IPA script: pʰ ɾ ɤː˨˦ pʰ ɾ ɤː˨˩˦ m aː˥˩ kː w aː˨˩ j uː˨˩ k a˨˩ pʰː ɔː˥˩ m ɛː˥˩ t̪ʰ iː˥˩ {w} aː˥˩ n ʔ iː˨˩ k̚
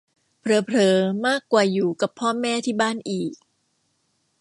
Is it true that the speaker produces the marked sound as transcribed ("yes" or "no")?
no